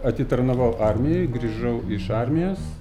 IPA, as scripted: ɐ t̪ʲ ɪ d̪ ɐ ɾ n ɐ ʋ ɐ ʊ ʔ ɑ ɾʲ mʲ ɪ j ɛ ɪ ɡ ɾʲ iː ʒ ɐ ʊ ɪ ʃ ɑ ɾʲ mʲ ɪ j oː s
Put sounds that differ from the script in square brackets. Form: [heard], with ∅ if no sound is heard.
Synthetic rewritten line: ɐ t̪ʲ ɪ [t̪] ɐ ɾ n ɐ ʋ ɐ ʊ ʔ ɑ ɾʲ mʲ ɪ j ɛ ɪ ɡ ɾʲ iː ʒ ɐ ʊ ɪ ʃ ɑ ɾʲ mʲ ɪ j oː s